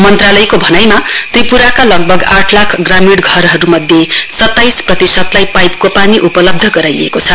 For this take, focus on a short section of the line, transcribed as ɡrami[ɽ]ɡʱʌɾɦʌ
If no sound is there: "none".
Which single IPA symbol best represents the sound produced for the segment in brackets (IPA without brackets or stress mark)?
ɽ